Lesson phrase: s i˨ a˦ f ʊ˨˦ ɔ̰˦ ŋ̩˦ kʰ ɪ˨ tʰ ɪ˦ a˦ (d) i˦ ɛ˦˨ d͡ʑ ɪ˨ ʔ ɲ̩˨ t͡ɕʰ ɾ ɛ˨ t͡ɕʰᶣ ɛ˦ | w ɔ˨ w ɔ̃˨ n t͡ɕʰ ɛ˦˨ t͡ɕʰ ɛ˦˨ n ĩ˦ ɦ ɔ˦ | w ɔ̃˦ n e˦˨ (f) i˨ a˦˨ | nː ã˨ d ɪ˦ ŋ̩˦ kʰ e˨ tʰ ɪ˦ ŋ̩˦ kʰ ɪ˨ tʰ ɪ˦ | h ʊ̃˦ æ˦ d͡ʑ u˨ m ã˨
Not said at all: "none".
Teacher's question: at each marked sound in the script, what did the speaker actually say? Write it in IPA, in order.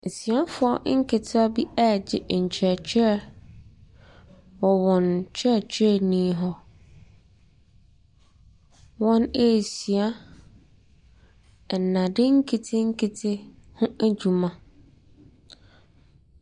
b, s

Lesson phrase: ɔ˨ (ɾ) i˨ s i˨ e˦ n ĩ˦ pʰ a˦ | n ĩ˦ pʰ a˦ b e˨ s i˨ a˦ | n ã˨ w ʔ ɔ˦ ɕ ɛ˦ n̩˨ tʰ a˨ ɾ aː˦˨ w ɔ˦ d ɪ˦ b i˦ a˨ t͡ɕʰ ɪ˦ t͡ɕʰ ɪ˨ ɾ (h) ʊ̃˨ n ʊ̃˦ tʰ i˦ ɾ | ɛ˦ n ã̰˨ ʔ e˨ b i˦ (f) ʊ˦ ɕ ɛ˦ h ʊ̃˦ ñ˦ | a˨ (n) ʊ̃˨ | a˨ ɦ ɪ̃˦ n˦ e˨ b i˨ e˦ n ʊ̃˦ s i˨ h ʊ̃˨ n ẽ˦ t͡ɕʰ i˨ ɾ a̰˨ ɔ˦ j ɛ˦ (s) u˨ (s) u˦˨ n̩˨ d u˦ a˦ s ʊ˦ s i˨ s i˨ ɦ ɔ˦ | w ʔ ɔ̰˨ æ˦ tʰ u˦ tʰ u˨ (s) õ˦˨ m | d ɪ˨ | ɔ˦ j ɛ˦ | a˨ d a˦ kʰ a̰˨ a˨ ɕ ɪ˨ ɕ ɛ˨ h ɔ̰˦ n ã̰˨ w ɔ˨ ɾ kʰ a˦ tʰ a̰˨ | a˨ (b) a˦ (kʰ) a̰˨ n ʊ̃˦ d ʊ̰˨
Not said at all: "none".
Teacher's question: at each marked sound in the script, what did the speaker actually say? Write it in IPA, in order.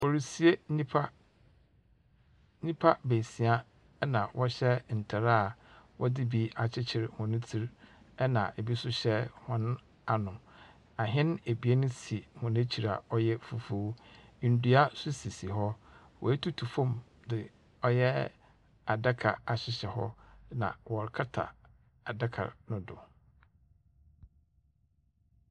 ɾ, h, s, n, f, f, f, d, kʰ

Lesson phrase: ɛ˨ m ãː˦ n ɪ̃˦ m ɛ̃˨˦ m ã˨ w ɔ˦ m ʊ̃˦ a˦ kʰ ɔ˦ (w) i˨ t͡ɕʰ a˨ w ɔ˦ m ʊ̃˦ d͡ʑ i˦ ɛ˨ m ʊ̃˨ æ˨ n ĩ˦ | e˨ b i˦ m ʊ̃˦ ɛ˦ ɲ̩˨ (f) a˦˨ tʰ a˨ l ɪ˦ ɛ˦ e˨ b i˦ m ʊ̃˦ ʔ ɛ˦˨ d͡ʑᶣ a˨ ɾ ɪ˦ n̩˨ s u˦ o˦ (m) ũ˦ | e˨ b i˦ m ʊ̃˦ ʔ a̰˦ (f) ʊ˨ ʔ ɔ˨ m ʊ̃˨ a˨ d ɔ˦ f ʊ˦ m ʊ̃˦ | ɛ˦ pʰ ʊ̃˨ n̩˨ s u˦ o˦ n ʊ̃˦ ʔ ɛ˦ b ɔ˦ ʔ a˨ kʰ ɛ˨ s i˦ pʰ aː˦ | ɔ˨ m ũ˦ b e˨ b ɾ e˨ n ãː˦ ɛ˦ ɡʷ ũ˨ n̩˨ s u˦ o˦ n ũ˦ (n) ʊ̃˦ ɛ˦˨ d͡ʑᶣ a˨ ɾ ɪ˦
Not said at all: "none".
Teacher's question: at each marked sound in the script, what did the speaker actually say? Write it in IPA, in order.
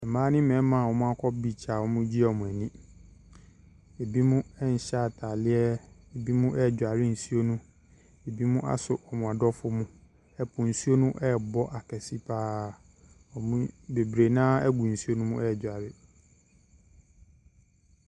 b, ɕ, n, s, m

